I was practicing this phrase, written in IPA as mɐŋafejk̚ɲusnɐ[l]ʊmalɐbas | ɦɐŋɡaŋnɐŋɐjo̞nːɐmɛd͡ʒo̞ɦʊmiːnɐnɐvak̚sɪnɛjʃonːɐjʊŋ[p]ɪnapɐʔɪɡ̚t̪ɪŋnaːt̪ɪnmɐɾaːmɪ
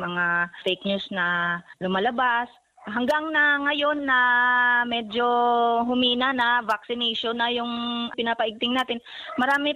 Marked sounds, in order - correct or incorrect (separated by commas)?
correct, correct